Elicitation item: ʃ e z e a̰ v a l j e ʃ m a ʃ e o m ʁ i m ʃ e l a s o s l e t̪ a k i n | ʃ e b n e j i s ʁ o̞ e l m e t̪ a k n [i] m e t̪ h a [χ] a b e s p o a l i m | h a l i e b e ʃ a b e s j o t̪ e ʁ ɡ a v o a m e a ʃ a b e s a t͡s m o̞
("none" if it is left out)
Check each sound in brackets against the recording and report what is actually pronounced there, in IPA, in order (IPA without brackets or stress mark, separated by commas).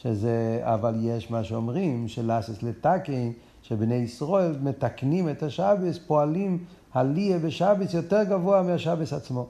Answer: i, ʃ